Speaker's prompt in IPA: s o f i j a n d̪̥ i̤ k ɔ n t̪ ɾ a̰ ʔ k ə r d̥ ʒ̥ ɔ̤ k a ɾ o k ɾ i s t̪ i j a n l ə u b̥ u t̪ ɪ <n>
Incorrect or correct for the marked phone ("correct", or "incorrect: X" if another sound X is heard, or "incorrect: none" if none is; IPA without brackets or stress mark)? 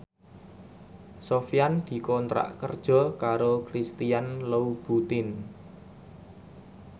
correct